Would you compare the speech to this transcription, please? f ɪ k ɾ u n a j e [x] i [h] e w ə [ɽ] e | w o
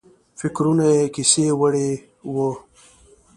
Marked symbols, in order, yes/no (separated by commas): no, no, yes